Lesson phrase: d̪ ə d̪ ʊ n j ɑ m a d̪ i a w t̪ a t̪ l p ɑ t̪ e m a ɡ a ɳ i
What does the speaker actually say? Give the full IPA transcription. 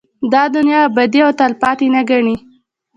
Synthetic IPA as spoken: d̪ ɑ d̪ ʊ n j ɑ b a d̪ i a w t̪ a l p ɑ t̪ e n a ɡ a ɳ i